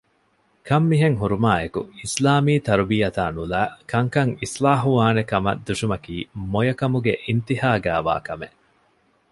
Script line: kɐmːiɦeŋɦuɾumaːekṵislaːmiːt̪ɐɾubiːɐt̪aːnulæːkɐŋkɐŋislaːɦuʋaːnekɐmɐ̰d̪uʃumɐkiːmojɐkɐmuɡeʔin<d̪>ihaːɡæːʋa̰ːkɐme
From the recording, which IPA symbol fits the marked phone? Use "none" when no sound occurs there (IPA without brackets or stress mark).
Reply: t̪